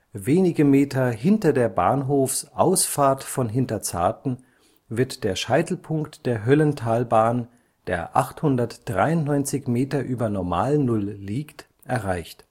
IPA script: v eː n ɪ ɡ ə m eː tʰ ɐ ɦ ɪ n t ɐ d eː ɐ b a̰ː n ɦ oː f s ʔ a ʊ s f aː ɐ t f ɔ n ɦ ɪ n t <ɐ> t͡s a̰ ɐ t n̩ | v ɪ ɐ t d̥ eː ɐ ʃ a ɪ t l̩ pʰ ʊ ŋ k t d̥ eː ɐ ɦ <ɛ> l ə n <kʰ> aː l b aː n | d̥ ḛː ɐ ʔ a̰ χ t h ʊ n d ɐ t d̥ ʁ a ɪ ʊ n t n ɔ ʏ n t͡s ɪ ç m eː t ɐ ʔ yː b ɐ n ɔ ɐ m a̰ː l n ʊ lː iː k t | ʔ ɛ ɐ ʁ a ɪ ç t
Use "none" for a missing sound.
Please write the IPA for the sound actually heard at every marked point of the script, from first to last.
ɐ, œ, tʰ

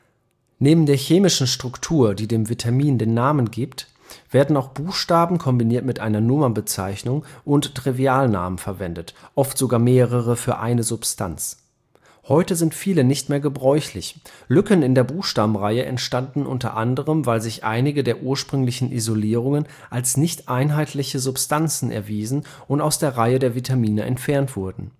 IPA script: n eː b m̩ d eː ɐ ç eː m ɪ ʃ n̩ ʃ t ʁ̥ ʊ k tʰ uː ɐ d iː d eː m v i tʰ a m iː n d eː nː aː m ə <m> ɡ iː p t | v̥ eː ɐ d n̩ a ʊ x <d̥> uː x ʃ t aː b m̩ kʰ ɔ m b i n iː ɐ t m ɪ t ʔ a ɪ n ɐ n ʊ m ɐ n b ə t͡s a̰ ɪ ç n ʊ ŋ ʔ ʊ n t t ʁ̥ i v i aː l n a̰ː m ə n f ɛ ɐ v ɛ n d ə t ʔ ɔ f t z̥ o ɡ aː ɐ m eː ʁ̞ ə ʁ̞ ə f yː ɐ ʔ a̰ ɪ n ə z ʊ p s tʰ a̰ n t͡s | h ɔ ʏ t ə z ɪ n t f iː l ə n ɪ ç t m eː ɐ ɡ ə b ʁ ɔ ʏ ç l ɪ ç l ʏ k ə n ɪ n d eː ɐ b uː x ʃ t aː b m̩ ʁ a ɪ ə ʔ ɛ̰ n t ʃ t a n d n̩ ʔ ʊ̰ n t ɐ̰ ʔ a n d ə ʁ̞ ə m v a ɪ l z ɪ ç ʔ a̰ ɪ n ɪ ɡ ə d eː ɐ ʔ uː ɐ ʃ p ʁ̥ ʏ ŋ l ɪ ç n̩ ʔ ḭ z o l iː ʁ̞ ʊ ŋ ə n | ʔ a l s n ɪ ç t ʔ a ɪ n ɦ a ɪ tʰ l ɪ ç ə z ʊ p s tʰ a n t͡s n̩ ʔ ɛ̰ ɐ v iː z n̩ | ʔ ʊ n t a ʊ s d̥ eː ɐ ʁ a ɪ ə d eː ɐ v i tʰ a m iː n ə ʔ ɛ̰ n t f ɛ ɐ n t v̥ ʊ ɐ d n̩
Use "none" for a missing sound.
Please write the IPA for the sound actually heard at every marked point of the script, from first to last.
n, b̥

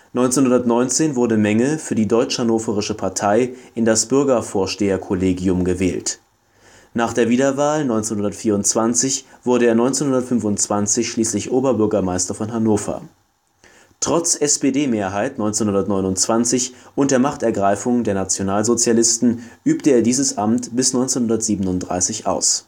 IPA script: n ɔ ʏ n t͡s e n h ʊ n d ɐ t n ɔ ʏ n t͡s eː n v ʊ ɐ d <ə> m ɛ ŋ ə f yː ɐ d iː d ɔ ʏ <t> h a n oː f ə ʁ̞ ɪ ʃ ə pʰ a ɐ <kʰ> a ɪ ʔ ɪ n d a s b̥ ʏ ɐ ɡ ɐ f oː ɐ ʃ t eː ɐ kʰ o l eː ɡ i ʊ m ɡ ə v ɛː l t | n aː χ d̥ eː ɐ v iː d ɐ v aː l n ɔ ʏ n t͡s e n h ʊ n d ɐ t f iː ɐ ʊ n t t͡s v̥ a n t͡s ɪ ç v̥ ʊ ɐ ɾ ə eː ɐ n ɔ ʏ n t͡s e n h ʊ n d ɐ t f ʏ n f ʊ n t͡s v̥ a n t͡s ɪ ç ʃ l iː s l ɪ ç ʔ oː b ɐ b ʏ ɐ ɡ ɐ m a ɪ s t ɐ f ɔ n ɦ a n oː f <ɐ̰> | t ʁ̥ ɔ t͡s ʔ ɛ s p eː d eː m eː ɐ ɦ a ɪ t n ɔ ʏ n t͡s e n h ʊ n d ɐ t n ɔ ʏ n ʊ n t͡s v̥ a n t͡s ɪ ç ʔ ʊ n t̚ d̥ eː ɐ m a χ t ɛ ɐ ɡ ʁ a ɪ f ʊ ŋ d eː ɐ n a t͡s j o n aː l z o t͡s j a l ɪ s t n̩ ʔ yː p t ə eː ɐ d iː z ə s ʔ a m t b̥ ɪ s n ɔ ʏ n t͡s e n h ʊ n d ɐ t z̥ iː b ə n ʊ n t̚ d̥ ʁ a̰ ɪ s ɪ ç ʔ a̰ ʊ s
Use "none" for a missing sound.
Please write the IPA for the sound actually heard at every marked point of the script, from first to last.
ə, t͡ʃ, tʰ, ɐ̰

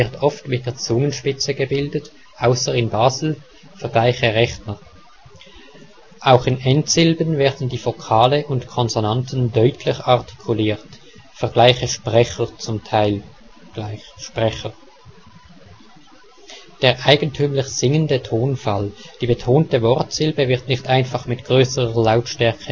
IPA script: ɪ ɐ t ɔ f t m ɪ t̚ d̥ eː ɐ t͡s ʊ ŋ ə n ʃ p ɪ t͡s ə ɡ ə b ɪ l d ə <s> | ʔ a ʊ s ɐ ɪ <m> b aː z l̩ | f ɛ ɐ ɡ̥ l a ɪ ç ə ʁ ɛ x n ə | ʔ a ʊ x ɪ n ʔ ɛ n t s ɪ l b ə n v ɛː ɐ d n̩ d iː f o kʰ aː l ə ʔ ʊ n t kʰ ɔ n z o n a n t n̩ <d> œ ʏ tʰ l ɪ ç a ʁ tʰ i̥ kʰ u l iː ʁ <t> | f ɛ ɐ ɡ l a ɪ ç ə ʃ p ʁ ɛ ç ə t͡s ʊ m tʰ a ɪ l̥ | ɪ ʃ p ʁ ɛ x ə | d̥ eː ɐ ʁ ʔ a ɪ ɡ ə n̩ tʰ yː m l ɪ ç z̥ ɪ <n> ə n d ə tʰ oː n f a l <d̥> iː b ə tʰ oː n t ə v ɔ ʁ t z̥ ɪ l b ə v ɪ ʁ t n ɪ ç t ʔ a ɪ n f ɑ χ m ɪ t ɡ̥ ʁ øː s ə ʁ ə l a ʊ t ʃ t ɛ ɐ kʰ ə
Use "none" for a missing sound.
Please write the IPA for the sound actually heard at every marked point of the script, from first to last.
t, n, d, t, ŋ, d̥

